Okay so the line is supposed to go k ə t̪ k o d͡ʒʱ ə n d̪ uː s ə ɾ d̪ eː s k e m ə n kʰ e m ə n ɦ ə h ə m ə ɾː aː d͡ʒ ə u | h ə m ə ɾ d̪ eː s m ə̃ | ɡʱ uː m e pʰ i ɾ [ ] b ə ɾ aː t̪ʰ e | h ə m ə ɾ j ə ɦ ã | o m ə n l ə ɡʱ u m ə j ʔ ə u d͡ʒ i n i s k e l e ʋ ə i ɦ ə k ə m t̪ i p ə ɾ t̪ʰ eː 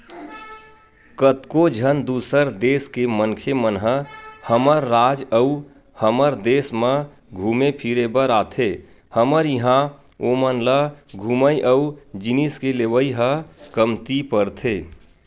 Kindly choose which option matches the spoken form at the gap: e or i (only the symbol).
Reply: e